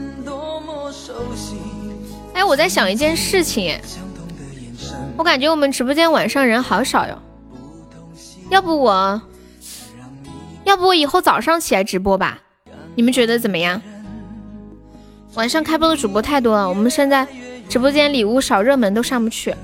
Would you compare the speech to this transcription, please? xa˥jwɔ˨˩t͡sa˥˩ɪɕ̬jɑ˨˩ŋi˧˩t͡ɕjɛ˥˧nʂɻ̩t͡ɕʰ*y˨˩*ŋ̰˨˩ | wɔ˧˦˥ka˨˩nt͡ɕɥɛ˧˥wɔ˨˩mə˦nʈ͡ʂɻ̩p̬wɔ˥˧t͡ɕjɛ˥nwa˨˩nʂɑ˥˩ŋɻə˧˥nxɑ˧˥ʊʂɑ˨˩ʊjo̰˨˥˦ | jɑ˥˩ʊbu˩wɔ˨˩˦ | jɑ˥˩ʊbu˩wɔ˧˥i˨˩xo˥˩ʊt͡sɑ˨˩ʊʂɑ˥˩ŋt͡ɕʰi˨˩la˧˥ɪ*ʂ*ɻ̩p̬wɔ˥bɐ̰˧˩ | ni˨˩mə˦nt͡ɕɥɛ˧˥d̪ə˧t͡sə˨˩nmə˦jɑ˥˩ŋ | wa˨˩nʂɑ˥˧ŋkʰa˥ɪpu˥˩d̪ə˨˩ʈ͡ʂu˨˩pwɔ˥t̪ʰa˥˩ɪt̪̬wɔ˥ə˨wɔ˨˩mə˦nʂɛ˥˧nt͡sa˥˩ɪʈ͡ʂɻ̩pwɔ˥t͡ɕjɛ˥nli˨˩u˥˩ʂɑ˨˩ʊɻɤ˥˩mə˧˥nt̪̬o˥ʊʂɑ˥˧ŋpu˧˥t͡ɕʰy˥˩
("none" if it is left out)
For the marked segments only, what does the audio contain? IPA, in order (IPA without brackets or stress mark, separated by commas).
i˨˩, ʈ͡ʂ